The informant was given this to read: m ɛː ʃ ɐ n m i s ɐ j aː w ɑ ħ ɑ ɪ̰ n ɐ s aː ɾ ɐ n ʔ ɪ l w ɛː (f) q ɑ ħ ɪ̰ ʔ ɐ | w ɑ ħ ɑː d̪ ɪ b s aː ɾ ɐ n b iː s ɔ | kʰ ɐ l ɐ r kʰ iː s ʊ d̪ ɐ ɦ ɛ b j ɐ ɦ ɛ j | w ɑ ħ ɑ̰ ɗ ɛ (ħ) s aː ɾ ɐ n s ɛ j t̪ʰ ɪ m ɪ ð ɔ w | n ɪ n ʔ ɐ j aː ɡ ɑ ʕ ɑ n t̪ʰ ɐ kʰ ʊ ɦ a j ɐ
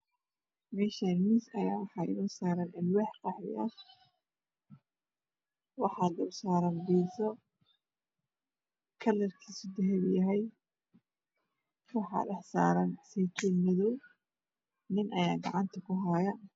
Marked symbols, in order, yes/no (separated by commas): no, yes